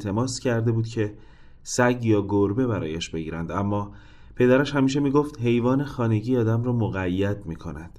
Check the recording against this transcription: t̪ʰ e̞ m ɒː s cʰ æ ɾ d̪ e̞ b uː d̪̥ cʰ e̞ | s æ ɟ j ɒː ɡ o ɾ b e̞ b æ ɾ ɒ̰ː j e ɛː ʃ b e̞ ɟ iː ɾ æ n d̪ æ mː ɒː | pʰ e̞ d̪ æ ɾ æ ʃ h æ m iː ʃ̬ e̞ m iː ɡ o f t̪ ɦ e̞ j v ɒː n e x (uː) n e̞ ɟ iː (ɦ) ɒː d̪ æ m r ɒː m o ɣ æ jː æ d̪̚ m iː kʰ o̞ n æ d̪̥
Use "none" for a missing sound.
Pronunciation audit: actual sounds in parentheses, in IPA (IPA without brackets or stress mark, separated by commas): ɒː, none